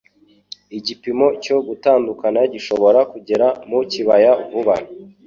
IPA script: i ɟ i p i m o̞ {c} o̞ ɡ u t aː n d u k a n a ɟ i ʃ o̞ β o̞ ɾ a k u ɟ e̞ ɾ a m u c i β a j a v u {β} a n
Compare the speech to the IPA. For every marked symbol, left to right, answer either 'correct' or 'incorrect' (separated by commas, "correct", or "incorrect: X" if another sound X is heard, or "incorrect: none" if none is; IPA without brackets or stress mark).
correct, correct